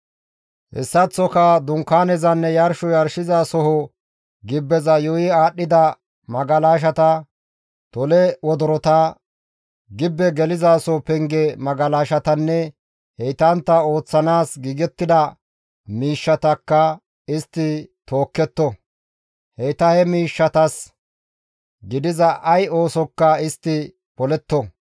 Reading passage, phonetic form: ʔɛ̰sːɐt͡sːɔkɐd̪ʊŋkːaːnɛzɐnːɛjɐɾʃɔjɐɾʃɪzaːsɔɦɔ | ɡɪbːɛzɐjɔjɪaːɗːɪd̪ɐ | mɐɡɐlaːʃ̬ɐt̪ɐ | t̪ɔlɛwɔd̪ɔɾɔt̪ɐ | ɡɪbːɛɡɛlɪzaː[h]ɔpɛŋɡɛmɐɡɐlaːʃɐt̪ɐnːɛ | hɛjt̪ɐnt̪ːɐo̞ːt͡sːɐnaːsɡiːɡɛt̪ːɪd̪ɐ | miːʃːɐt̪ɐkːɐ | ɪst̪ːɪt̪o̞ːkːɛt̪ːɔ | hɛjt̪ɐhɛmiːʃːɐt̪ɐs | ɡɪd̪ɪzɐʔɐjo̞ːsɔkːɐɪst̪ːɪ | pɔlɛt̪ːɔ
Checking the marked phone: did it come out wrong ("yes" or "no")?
yes